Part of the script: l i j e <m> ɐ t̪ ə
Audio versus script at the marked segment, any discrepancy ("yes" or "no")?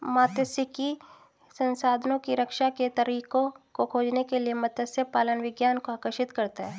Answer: no